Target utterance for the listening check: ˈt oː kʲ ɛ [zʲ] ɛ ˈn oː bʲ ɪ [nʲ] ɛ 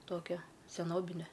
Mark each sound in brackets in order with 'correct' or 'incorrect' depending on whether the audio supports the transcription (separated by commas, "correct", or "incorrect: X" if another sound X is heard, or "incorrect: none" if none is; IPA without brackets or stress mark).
incorrect: sʲ, correct